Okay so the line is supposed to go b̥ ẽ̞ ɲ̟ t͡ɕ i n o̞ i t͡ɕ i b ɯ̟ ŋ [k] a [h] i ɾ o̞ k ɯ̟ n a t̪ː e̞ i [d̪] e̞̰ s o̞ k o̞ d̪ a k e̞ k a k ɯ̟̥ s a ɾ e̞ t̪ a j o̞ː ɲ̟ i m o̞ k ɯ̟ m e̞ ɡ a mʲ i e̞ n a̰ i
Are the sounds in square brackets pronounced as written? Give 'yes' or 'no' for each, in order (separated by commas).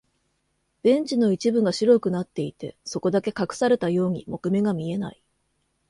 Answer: no, no, no